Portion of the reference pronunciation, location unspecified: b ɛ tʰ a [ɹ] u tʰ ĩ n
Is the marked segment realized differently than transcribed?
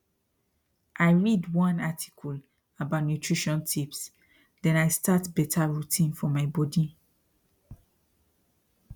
no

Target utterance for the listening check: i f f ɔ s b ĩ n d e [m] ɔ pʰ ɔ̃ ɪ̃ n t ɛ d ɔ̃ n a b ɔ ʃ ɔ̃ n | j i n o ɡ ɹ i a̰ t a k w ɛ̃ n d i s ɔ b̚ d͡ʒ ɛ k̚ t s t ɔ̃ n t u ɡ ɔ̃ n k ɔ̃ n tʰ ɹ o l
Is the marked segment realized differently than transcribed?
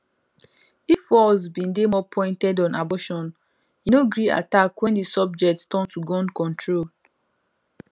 no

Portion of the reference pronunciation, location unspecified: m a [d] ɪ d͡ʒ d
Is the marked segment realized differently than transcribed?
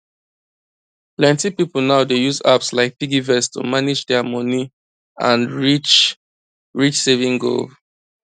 yes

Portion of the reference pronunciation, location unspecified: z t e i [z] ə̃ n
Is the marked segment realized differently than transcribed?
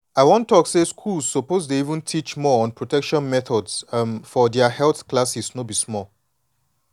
yes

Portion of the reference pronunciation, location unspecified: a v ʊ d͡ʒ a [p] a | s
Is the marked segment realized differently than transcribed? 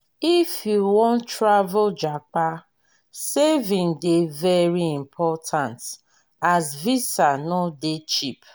yes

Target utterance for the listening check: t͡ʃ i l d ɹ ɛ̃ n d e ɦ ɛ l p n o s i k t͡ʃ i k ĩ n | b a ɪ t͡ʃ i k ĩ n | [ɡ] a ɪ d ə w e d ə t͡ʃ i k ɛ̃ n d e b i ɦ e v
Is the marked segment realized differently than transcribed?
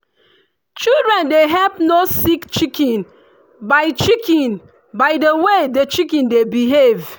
yes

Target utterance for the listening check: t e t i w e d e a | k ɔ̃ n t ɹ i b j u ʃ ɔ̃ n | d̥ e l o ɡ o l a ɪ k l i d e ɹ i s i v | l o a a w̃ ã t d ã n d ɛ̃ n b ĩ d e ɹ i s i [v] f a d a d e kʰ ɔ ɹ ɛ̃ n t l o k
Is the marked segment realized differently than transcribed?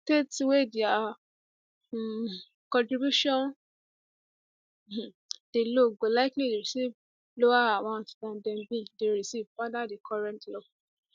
no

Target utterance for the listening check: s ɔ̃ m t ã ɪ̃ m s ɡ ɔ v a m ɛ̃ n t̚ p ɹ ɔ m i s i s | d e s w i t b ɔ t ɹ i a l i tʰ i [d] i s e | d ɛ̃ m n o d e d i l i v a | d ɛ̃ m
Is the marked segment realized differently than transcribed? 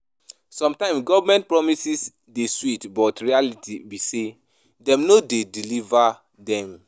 yes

